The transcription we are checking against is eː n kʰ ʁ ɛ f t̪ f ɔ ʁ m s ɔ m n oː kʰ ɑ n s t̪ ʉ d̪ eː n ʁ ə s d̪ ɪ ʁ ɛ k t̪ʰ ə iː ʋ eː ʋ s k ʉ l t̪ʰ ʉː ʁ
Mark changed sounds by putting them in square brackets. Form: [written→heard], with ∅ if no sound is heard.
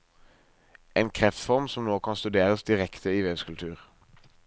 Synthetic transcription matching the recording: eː n kʰ ʁ ɛ f t̪ f ɔ ʁ m s ɔ m n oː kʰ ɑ n s t̪ ʉ d̪ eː [n→∅] ʁ ə s d̪ ɪ ʁ ɛ k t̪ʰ ə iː ʋ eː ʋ s k ʉ l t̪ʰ ʉː ʁ